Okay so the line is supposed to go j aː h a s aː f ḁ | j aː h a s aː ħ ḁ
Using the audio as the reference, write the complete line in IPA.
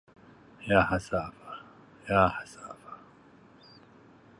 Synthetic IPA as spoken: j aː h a s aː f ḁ | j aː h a s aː f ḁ

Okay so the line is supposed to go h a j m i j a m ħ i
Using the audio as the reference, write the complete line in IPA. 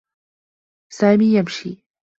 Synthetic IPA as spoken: s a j m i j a m ʃ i

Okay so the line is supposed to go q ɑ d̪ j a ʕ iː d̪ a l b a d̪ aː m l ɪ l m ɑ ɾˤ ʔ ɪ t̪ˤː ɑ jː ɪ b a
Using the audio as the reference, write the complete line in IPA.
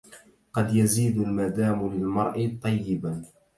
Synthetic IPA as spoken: q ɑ d̪ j a z iː d̪ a l m a d̪ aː m l ɪ l m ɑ ɾˤ ʔ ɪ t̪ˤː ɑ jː ɪ b a

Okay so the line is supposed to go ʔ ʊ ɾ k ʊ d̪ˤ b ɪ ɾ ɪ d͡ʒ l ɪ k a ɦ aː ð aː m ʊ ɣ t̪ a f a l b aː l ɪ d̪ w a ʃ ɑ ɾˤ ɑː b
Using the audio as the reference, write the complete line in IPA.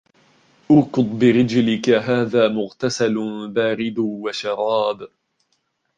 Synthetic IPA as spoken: ʔ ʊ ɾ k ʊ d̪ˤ b ɪ ɾ ɪ d͡ʒ l ɪ k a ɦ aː ð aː m ʊ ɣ t̪ a s a l b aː ɾ ɪ d̪ w a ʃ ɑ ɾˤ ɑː b

